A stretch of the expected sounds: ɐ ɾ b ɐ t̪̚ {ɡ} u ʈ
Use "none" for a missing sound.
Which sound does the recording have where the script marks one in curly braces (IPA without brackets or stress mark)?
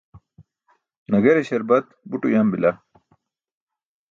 b